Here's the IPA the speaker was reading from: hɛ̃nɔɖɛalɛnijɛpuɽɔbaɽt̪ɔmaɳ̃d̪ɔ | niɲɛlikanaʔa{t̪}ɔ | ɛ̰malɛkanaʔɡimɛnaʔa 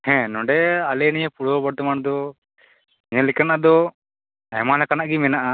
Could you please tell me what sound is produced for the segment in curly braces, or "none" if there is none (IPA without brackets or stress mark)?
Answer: d̪